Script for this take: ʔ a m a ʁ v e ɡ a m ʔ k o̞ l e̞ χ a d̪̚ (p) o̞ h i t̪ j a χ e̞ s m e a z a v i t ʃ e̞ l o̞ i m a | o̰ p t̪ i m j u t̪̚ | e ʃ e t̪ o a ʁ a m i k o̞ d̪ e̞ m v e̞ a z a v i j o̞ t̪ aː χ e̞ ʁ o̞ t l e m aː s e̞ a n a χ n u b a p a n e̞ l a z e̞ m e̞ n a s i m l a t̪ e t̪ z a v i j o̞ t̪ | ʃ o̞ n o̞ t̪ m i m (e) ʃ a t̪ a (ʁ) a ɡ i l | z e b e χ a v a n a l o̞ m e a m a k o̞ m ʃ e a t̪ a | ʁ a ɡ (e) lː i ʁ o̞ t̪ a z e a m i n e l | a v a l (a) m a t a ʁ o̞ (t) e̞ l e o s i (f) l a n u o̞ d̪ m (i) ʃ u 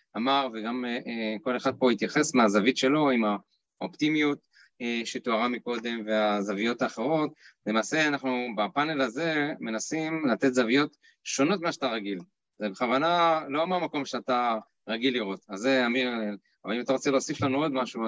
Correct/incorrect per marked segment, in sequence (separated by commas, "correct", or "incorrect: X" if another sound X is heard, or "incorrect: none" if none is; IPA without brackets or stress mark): correct, incorrect: a, correct, incorrect: i, incorrect: i, incorrect: t͡s, correct, incorrect: a